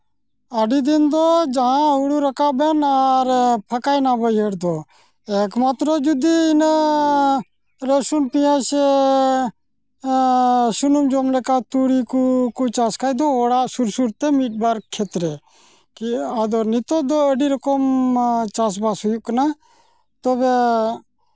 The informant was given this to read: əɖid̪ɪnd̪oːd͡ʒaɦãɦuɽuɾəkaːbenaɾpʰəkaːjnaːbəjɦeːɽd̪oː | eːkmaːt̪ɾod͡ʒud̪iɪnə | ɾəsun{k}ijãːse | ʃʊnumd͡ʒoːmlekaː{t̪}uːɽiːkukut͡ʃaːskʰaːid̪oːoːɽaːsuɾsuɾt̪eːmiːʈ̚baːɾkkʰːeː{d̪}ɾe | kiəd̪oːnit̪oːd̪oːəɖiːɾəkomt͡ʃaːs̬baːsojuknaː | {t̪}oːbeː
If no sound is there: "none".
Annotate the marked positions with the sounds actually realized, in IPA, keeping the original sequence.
p, t̪, t̪, t̪

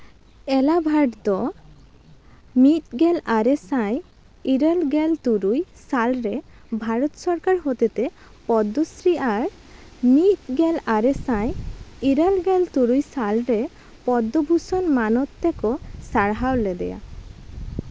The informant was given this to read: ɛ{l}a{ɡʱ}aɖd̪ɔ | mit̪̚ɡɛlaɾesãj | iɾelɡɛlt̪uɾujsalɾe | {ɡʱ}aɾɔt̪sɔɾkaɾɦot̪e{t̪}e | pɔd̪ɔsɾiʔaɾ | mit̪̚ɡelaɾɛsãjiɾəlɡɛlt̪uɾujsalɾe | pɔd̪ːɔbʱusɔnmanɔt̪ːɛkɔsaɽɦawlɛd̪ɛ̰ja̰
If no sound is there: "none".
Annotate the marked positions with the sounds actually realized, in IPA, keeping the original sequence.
l, bʱ, bʱ, t̪

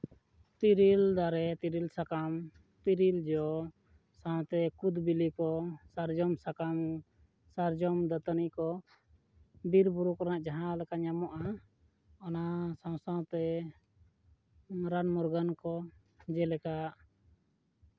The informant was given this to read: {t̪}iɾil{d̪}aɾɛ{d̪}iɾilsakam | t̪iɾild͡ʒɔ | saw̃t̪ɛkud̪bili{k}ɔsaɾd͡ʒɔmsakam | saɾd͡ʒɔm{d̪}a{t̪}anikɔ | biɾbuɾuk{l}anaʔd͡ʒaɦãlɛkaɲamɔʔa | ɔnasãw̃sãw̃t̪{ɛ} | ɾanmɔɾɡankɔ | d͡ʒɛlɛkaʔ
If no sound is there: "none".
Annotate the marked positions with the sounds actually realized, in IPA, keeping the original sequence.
t̪, d̪, t̪, k, d̪, t̪, ɾ, ɛ

